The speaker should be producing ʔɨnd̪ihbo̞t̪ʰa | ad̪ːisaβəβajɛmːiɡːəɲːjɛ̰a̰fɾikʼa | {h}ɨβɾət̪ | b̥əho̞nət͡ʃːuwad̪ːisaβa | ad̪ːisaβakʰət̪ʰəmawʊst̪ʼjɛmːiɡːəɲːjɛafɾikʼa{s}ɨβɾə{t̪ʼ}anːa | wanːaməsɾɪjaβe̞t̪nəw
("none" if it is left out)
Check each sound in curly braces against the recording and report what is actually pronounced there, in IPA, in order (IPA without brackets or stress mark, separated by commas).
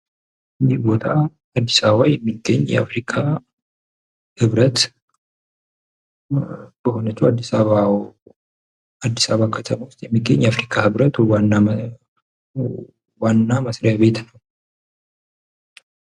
h, h, t̪